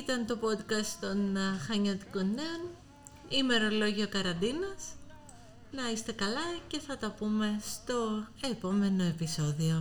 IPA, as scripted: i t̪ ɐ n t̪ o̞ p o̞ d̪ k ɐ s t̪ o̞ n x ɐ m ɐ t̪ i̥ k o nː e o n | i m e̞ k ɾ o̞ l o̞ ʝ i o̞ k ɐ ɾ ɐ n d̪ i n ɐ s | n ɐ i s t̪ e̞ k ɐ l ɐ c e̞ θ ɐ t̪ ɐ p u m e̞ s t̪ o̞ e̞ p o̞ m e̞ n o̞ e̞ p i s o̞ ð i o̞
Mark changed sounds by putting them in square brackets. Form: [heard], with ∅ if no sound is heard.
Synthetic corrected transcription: i t̪ ɐ n t̪ o̞ p o̞ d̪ k ɐ s t̪ o̞ n x ɐ [ɲ] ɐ t̪ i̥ k o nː e o n | i m e̞ [∅] ɾ o̞ l o̞ ʝ i o̞ k ɐ ɾ ɐ n d̪ i n ɐ s | n ɐ i s t̪ e̞ k ɐ l ɐ c e̞ θ ɐ t̪ ɐ p u m e̞ s t̪ o̞ e̞ p o̞ m e̞ n o̞ e̞ p i s o̞ ð i o̞